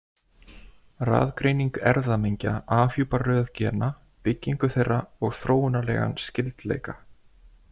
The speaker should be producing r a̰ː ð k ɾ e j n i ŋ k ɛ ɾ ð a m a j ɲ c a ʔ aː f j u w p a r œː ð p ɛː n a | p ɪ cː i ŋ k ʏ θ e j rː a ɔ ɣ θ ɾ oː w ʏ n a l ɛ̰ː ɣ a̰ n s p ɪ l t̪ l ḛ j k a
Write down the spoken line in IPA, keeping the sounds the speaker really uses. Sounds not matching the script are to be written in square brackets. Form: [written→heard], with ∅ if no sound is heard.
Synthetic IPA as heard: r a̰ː ð k ɾ e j n i ŋ k ɛ ɾ ð a m [a→e] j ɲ c a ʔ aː f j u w p a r œː ð [p→c] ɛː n a | p ɪ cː i ŋ k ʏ θ e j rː a ɔ ɣ θ ɾ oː w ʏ n a l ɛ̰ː ɣ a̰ n s [p→c] ɪ l t̪ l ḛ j k a